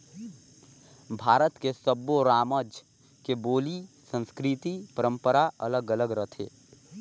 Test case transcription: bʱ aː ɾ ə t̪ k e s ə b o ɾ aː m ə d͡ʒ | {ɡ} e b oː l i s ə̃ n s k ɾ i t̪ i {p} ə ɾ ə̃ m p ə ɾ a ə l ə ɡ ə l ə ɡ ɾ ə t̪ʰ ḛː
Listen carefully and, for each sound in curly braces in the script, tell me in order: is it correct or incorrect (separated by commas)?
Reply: incorrect, correct